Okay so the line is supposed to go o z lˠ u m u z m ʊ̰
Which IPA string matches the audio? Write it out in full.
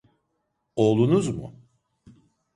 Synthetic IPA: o lˠ u n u z m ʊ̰